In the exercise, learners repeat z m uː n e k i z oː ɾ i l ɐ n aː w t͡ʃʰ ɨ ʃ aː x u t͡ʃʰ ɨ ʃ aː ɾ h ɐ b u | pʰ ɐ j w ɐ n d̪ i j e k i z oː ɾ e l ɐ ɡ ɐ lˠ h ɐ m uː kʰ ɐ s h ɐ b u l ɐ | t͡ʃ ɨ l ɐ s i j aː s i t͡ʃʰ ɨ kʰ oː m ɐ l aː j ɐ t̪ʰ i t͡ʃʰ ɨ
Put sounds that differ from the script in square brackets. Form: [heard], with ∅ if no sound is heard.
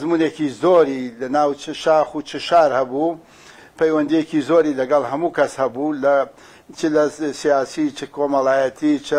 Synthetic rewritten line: z m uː n e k i z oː ɾ i l ɐ n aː w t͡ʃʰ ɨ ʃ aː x u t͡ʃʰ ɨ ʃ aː ɾ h ɐ b u | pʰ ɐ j w ɐ n d̪ i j e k i z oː ɾ [i] l ɐ ɡ ɐ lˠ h ɐ m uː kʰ ɐ s h ɐ b u l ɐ | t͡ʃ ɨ l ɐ s i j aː s i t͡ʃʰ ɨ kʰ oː m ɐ l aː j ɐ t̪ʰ i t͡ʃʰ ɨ